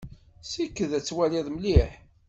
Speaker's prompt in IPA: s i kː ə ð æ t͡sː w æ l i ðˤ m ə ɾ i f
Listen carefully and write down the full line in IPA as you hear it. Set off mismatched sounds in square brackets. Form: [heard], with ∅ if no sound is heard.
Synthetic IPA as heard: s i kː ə ð æ t͡sː w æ l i ðˤ m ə [l] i [ħ]